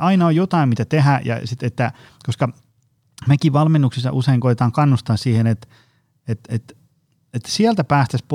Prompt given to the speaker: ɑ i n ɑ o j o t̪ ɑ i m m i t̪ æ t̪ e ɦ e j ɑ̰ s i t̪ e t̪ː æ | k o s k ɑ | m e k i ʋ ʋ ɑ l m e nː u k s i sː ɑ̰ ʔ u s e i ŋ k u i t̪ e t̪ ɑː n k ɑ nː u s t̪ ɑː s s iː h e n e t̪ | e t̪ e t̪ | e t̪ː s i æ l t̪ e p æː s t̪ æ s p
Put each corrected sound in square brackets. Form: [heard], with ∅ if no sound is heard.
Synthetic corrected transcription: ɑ i n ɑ o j o t̪ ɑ i m m i t̪ æ t̪ e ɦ [æ] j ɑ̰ s i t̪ e t̪ː æ | k o s k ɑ | m e k i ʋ ʋ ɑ l m e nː u k s i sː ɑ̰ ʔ u s e i ŋ k [o] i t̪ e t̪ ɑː [ŋ] k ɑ nː u s t̪ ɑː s s iː h e n e t̪ | e t̪ e t̪ | e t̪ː s i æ l t̪ [æ] p æː s t̪ æ s p